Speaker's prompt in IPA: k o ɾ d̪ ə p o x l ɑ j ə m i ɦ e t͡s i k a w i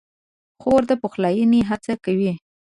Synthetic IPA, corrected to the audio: x o ɾ d̪ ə p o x l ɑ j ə n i ɦ a t͡s a k a w i